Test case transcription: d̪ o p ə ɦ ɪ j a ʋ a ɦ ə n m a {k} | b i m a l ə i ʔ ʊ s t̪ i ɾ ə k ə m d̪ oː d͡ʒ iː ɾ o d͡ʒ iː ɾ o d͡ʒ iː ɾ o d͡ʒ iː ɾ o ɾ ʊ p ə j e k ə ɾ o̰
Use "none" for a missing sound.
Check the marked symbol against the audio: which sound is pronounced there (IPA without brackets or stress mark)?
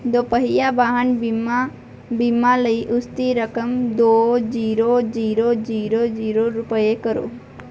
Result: none